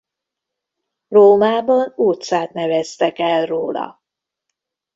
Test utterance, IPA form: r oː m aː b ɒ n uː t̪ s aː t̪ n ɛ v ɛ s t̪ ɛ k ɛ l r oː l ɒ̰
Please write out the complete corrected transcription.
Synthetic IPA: r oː m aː b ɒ n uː t̪ s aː t̪ n ɛ v ɛ s t̪ ɛ k ɛ l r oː l ɒ̰